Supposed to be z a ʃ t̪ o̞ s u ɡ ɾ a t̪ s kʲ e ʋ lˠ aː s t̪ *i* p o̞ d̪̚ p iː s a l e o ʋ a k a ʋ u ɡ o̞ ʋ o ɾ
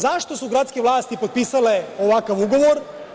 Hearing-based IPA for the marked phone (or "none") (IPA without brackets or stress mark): i